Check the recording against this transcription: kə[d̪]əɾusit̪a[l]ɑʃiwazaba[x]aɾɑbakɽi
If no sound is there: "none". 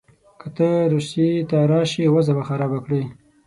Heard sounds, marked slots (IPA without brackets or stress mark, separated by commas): t̪, ɾ, x